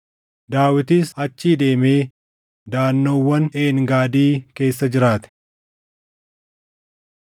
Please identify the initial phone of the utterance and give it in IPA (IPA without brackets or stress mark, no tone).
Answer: d̪